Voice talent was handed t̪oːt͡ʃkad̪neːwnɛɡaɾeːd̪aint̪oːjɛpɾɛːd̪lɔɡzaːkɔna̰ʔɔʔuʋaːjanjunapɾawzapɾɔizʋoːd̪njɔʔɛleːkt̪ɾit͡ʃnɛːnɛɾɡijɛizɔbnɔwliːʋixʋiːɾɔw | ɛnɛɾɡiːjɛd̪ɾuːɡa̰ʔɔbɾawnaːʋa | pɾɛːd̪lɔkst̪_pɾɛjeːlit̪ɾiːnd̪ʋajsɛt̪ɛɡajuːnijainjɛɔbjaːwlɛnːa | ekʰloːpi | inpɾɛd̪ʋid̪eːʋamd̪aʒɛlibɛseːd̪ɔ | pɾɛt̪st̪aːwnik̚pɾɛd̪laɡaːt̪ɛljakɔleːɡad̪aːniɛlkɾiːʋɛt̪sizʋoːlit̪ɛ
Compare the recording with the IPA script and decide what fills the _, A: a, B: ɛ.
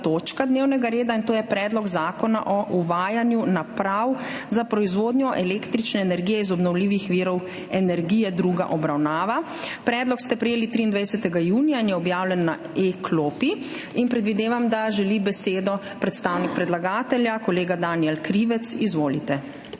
B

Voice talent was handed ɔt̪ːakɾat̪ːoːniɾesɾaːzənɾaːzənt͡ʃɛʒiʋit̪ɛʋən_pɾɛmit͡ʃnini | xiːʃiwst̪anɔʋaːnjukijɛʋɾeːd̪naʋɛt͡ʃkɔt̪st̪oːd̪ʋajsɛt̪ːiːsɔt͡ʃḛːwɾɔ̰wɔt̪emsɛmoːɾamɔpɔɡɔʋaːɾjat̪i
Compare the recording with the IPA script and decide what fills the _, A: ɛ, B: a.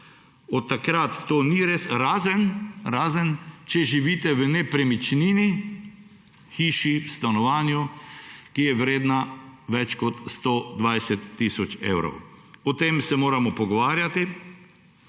A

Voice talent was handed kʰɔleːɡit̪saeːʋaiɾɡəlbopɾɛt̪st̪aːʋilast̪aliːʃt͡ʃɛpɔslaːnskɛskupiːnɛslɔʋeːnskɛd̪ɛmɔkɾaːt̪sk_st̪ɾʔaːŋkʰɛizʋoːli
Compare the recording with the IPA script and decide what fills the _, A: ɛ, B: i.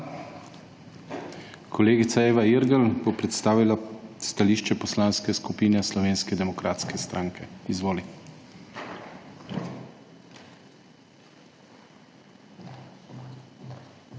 A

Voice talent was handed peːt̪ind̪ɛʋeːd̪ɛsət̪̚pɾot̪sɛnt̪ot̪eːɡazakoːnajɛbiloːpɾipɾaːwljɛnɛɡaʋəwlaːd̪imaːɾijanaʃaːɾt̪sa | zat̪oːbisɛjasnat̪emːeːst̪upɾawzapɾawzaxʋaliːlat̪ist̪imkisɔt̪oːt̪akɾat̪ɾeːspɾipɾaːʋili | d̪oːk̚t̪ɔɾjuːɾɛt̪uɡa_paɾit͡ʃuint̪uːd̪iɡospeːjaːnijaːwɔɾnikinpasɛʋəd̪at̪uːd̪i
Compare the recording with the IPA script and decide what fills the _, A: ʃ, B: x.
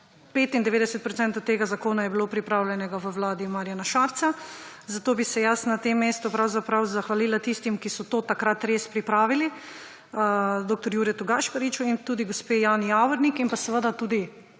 A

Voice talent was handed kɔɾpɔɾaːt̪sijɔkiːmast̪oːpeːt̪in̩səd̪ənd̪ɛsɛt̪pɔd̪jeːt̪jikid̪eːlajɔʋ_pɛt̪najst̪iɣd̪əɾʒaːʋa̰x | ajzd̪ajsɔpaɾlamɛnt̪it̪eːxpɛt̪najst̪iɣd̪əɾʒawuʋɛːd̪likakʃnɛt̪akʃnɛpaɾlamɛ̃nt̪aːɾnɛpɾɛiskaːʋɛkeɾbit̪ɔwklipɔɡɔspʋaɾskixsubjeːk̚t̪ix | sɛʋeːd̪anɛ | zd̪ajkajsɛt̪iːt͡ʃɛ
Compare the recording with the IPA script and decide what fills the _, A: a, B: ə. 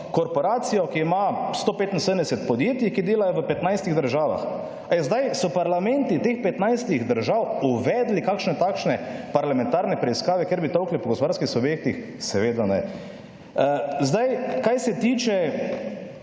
B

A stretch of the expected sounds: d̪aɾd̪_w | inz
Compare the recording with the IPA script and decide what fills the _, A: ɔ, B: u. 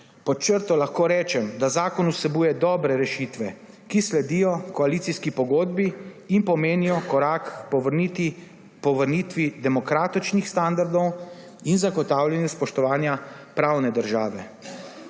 A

